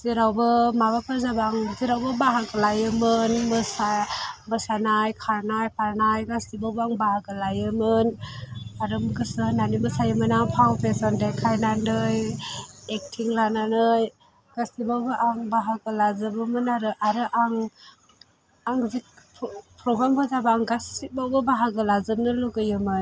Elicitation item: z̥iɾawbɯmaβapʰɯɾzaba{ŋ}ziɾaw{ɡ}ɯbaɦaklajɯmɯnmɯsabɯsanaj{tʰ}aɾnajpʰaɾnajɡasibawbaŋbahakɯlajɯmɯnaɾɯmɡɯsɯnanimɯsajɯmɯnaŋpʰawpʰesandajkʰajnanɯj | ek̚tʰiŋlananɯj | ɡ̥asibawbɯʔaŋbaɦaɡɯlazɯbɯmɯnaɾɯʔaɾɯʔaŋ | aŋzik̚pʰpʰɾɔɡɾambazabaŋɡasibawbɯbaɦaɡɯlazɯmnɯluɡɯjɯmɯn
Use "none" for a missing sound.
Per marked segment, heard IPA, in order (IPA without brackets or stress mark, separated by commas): ŋ, b, kʰ